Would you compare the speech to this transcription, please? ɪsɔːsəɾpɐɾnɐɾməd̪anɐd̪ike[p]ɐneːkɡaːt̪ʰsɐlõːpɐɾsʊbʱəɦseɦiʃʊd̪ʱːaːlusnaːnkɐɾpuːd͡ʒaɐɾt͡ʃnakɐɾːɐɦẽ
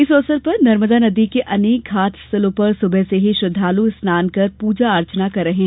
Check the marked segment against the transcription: incorrect: ʔ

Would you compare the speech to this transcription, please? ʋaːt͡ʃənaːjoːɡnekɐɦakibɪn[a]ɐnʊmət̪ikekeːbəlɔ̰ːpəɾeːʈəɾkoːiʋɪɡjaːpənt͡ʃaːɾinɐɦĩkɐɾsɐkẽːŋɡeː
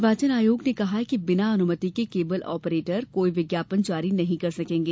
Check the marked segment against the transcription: correct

